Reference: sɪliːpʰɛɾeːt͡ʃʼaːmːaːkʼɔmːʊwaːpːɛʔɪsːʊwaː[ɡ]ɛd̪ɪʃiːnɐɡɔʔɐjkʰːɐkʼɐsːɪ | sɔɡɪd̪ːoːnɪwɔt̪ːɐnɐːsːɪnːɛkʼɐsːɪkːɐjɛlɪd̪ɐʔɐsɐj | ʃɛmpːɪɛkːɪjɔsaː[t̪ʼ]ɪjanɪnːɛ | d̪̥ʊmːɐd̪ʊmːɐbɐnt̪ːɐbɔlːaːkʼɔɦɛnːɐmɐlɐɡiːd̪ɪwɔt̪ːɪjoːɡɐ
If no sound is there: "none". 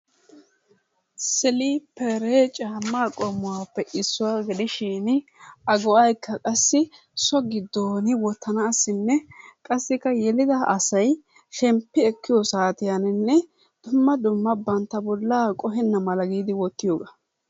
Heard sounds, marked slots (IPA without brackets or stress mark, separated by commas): ɡ, t̪